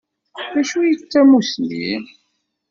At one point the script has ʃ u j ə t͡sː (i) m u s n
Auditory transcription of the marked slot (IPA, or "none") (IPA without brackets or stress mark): æ